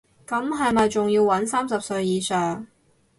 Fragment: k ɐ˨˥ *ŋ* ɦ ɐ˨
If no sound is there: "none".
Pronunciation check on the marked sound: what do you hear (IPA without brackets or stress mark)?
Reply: m